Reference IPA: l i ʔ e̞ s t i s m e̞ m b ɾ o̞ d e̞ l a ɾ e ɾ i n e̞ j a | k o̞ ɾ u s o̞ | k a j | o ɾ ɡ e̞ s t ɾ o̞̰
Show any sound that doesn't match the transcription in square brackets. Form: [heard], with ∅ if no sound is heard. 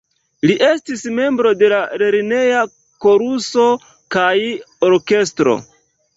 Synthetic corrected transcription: l i ʔ e̞ s t i s m e̞ m b ɾ o̞ d e̞ l a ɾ e ɾ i n e̞ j a | k o̞ ɾ u s o̞ | k a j | o ɾ [k] e̞ s t ɾ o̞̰